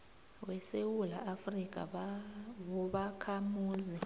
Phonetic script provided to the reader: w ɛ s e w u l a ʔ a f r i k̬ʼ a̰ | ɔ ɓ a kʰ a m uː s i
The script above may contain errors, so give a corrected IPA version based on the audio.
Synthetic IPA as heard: w ɛ s e w u l a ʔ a f r i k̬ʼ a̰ | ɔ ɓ a kʰ a m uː z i

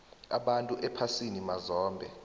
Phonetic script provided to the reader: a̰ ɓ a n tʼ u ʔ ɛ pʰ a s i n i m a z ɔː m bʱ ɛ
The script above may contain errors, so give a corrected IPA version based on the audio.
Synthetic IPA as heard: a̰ ɓ a n tʼ u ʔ ɛ pʰ a s i n i m a z ɔː m bʱ ɛ

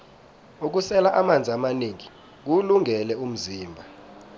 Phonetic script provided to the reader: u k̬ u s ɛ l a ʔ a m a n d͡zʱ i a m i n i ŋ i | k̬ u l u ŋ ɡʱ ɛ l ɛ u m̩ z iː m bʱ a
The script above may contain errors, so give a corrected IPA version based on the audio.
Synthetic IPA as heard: u k̬ u s ɛ l a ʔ a m a n d͡zʱ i a m a n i ŋ i | k̬ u l u ŋ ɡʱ ɛ l ɛ u m̩ z iː m bʱ a

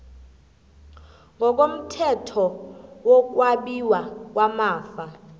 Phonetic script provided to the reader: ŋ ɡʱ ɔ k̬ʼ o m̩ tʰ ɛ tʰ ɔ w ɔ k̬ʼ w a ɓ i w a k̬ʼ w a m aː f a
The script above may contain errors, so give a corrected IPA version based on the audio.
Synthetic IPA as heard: ŋ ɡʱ ɔ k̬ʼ o m̩ tʰ ɛ tʰ ɔ w ɔ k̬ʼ w a ɓ i w a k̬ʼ w a m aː f a

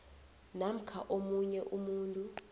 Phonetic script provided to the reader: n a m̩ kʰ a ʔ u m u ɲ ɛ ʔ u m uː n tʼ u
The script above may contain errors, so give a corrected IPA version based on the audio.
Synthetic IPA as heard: n a m̩ kʰ a ʔ o m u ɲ ɛ ʔ u m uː n tʼ u

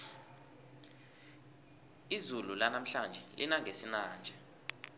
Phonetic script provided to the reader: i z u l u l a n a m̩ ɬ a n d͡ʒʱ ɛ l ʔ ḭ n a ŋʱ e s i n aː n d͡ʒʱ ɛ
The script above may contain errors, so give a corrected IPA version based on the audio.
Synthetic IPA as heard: i z u l u l a n a m̩ ɬ a n d͡ʒʱ ɛ l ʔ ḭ n a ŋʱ e s i n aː n d͡ʒʱ ɛ

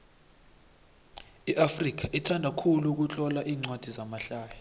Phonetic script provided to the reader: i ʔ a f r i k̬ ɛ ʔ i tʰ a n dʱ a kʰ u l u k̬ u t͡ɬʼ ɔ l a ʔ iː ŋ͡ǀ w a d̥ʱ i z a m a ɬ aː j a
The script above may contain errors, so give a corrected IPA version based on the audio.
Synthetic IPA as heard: i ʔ a f r i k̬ a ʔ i tʰ a n dʱ a kʰ u l u k̬ u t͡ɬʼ ɔ l a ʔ iː ŋ͡ǀ w a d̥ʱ i z a m a ɬ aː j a

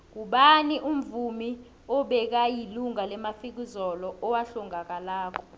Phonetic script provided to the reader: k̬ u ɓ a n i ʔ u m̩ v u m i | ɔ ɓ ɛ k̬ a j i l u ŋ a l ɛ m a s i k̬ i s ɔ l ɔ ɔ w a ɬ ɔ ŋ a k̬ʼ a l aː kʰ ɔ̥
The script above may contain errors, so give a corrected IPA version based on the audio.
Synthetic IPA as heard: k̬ u ɓ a n i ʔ u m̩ v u m i | ɔ ɓ ɛ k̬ a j i l u ŋ a l ɛ m a f i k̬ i z ɔ l ɔ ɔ w a ɬ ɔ ŋ a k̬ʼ a l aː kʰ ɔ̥

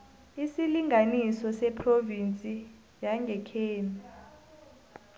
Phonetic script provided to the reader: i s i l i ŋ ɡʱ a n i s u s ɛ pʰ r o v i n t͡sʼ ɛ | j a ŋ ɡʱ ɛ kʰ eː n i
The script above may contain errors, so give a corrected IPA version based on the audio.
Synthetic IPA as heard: i s i l i ŋ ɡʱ a n i s ɔ s ɛ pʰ r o v i n t͡sʼ i | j a ŋ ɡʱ ɛ kʰ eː n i

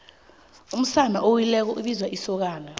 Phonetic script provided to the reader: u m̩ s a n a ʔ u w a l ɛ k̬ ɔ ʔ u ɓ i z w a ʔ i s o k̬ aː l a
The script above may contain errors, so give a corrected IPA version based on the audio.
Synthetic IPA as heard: u m̩ s a n a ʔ o w i l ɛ k̬ ɔ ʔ u ɓ i z w a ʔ i s ɔ k̬ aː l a

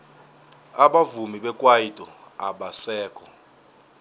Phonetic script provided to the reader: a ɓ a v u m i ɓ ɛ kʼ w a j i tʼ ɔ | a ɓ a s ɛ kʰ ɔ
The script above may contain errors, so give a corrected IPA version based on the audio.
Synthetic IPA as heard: a ɓ a v u m i ɓ ɛ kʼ w a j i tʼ ɔ | a ɓ a s ɛː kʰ ɔ

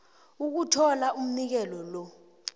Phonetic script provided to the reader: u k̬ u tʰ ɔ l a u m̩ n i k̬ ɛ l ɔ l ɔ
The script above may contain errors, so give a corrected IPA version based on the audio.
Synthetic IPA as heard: u k̬ u tʰ ɔ l a u m̩ n i k̬ ɛ l ɔ l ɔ

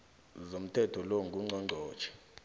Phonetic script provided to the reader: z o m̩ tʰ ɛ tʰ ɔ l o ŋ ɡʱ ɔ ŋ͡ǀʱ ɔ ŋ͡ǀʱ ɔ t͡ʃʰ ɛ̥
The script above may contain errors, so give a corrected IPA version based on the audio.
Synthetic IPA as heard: z o m̩ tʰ ɛ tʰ ɔ l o ŋ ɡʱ u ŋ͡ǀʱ ɔ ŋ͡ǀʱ ɔː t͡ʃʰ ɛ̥

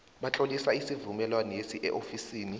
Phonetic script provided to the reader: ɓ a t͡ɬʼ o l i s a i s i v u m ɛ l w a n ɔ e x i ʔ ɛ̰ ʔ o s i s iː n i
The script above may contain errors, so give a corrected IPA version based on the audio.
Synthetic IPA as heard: ɓ a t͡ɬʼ o l i s a i s i v u m ɛ l w a n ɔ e s i ʔ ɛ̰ ʔ o f i s iː n i

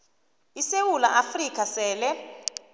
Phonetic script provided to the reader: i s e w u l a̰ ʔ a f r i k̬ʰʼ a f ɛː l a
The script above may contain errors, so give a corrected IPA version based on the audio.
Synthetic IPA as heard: i s e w u l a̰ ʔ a f r i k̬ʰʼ a s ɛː l ɛ

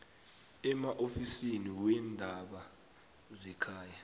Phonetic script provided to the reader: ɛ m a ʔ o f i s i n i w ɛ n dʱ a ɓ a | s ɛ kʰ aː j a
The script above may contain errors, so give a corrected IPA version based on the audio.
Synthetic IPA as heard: ɛ m a ʔ o f i s i n i w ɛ n dʱ a ɓ a | z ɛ kʰ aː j a

